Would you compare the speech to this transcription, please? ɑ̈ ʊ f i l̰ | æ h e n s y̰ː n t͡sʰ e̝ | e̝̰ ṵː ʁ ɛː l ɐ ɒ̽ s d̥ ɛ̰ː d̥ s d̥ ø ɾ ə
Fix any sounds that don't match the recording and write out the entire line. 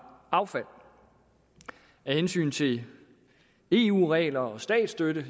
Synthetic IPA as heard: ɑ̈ ʊ f æ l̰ | æ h e n s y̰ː n t͡sʰ e̝ | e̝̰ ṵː ʁ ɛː l ɐ ɒ̽ s d̥ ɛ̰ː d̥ s d̥ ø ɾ ə